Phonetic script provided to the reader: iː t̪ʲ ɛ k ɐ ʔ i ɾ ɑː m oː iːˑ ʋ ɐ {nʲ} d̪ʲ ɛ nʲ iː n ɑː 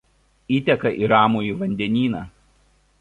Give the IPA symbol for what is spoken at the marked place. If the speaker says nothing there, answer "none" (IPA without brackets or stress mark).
nʲ